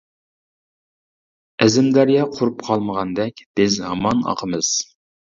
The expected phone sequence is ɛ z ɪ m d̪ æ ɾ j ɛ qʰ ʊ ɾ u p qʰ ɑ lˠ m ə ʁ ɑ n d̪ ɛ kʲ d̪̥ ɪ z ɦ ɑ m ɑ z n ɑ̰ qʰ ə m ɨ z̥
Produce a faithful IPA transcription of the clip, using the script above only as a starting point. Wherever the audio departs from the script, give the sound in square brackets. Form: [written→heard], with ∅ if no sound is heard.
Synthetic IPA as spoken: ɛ z ɪ m d̪ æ ɾ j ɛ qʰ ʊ ɾ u p qʰ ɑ lˠ m ə ʁ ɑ n d̪ ɛ kʲ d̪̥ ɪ z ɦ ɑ m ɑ [z→∅] n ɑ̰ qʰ ə m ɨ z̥